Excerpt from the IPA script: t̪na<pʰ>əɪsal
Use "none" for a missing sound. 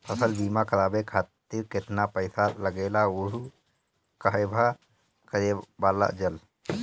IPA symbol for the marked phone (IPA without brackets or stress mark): p